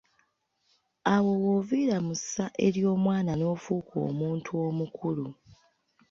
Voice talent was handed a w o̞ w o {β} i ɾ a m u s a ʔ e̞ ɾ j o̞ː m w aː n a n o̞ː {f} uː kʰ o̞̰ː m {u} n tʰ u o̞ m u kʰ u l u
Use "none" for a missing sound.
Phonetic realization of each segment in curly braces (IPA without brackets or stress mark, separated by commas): v, f, uː